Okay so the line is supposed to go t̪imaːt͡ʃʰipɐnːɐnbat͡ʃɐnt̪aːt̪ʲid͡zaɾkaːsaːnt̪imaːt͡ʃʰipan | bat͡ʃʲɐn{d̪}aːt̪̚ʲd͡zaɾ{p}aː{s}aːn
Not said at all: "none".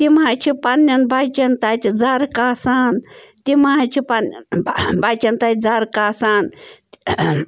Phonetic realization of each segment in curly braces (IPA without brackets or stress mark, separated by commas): t̪, k, s